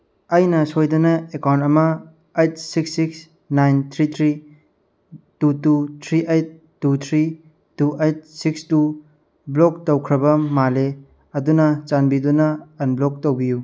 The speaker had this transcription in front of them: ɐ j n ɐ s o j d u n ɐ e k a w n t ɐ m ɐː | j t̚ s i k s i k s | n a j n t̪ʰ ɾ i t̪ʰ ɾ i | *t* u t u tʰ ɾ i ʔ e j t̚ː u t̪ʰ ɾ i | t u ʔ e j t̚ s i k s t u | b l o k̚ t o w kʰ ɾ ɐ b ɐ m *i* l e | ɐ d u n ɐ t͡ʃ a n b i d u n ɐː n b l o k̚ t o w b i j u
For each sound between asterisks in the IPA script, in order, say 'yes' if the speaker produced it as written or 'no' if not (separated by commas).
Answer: yes, no